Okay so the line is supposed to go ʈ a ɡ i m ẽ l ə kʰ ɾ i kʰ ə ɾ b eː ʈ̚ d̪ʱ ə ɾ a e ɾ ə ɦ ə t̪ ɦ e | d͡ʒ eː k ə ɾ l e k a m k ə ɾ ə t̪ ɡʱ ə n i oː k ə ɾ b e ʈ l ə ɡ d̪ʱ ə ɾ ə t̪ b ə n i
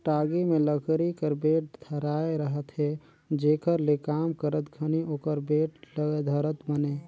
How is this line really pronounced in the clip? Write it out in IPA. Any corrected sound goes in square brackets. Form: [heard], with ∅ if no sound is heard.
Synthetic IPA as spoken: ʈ a ɡ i m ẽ l ə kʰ ɾ i [k] ə ɾ b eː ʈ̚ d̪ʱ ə ɾ a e ɾ ə ɦ ə t̪ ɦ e | d͡ʒ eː k ə ɾ l e k a m k ə ɾ ə t̪ ɡʱ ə n i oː k ə ɾ b e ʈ l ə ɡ d̪ʱ ə ɾ ə t̪ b ə n [e]